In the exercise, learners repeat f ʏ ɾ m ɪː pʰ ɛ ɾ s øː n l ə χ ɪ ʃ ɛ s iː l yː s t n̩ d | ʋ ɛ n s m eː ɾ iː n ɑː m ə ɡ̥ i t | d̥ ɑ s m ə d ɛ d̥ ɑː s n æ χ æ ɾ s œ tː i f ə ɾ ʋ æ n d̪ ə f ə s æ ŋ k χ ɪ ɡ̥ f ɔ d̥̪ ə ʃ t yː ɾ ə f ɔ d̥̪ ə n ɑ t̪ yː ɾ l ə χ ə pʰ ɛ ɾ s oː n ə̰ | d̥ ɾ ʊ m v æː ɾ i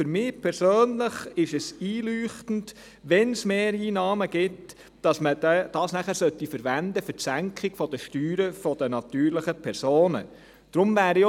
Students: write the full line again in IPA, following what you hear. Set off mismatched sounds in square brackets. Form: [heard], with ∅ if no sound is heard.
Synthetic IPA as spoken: f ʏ ɾ m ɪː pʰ ɛ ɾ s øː n l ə χ ɪ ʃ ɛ s iː l yː [χ] t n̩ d | ʋ ɛ n s m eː ɾ iː n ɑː m ə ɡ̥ [ɪ] t | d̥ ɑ s m ə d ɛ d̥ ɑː s n æ χ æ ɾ s œ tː i f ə ɾ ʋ æ n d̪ ə f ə s æ ŋ k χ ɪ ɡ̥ f ɔ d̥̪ ə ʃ t yː ɾ ə f ɔ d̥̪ ə n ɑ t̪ yː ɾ l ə χ ə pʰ ɛ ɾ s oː n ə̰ | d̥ ɾ ʊ m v æː ɾ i